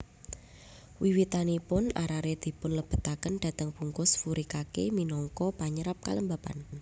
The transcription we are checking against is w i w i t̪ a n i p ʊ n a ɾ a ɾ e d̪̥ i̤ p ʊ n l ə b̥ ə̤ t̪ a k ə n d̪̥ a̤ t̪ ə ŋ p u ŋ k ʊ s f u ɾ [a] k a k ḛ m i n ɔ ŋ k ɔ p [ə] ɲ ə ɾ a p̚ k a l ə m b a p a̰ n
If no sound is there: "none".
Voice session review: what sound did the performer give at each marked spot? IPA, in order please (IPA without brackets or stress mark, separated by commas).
i, a